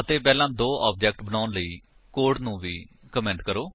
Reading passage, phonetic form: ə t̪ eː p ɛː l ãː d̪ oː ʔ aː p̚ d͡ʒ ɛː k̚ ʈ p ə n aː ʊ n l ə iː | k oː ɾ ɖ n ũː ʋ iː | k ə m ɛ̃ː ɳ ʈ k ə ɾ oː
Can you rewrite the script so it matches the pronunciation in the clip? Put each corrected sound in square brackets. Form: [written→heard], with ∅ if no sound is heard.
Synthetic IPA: ə t̪ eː p ɛː l ãː d̪ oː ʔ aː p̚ d͡ʒ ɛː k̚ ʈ [p→b] ə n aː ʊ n l ə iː | k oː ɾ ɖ n ũː ʋ iː | k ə m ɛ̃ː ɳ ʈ k ə ɾ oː